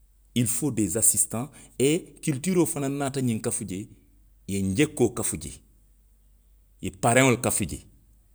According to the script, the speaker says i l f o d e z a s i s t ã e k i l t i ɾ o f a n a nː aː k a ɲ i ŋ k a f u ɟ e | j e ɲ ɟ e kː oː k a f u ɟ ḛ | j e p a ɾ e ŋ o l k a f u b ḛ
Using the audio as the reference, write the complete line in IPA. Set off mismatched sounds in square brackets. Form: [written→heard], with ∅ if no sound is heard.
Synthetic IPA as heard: i l f o d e z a s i s t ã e k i l t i ɾ o f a n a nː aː [k→t] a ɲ i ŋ k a f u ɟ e | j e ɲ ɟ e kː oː k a f u ɟ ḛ | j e p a ɾ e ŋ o l k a f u [b→ɟ] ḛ